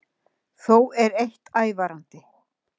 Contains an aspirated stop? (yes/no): no